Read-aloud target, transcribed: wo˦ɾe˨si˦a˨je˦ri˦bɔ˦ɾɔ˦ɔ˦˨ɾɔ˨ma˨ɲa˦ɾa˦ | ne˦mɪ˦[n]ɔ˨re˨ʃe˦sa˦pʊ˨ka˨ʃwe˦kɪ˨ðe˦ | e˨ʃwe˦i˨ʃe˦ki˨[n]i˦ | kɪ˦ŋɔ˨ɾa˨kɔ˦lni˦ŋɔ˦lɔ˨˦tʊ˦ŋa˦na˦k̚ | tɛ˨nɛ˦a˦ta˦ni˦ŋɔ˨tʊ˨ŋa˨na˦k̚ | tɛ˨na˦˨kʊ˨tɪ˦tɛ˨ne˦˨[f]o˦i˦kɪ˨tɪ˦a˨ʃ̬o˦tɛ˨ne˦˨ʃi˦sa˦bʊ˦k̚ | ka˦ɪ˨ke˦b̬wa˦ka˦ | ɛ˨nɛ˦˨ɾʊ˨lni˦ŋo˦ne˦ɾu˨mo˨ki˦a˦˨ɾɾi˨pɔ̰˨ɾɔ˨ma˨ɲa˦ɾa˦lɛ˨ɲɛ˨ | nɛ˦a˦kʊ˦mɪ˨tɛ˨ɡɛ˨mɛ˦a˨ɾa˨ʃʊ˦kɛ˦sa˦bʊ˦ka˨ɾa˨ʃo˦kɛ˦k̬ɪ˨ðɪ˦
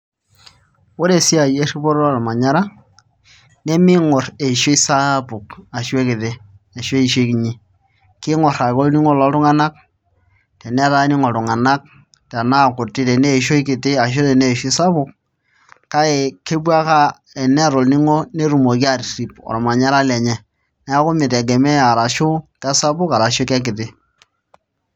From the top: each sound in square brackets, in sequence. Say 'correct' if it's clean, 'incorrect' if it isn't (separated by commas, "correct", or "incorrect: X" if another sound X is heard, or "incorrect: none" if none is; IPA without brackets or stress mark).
incorrect: ŋ, incorrect: ɲ, incorrect: ʃ